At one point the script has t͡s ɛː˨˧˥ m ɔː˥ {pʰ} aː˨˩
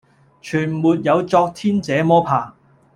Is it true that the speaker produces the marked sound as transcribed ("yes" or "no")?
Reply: yes